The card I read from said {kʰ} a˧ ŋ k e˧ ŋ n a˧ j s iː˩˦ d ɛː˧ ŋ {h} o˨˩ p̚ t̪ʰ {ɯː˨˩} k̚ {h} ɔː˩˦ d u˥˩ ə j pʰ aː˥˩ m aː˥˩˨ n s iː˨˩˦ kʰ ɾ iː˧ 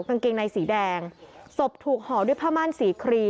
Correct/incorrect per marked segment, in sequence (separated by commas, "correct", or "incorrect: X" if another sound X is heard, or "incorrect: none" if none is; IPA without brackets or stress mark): incorrect: k, incorrect: s, incorrect: uː˨˩, correct